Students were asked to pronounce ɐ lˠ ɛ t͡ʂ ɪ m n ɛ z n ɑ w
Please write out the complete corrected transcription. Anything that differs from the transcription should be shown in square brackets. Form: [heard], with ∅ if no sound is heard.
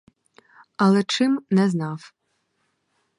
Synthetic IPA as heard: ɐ lˠ ɛ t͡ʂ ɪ m n ɛ z n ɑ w